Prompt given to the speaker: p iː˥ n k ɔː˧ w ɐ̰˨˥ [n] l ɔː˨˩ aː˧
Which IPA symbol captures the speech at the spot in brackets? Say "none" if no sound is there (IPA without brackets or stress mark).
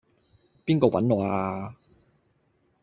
n